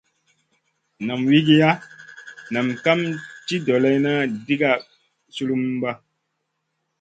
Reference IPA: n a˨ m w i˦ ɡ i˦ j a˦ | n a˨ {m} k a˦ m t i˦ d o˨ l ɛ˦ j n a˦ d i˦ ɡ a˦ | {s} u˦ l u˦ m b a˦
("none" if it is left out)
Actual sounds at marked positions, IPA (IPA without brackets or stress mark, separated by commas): m, s